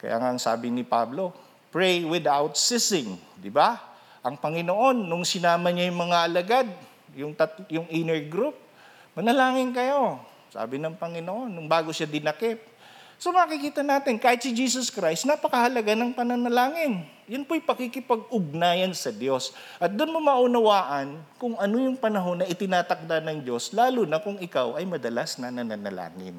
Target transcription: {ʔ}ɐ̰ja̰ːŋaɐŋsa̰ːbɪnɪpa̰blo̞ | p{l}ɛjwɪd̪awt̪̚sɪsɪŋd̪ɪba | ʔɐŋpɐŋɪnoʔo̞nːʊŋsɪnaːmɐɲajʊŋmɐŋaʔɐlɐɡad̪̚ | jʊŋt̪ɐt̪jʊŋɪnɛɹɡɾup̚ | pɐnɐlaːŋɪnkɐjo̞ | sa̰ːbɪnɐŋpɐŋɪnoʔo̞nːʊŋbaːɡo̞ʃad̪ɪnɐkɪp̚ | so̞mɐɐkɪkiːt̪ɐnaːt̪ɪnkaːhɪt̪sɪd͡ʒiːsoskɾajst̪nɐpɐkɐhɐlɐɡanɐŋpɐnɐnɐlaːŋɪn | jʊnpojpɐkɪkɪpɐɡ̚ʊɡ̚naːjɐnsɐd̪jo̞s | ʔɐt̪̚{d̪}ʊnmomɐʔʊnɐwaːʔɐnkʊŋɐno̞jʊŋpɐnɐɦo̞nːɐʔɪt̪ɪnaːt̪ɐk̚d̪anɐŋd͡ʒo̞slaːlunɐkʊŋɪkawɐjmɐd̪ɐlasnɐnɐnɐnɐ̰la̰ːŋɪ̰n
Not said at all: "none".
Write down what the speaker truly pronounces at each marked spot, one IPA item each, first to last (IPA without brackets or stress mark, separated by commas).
k, ɹ, d̪